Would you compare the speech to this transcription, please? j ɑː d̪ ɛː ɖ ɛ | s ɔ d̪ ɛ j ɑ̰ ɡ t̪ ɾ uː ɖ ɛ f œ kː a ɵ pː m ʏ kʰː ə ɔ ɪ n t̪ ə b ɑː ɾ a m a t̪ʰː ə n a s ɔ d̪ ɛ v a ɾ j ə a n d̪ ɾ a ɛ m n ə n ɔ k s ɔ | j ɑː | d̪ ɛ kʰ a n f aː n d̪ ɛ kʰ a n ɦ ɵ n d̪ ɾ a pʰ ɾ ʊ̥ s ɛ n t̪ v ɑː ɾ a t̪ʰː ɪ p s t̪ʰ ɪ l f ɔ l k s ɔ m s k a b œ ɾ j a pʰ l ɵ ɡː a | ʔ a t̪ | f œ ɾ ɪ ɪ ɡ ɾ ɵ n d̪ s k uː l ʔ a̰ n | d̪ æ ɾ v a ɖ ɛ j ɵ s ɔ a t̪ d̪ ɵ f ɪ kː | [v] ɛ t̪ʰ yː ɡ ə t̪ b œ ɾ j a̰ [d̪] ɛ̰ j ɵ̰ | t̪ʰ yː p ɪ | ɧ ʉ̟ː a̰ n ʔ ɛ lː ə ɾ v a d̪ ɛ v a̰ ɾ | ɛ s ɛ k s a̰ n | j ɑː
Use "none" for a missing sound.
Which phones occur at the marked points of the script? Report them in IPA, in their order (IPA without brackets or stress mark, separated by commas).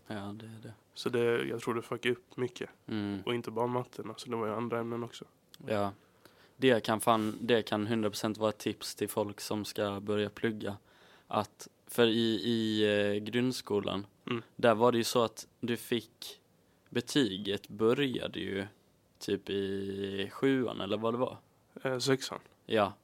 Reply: b, d̪